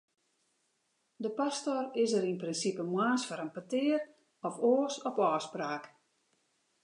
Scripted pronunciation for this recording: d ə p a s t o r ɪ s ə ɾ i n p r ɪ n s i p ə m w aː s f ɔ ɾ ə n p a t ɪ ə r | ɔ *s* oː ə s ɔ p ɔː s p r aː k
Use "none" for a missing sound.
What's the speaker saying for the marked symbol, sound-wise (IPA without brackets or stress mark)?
f